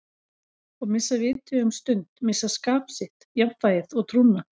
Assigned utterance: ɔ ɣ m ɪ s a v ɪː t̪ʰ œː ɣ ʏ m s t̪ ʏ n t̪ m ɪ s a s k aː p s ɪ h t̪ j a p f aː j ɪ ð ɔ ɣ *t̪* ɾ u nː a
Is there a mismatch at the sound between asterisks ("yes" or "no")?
yes